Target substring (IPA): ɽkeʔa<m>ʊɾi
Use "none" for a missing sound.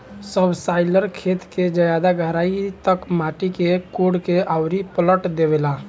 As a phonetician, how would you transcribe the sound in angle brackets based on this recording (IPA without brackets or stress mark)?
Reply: none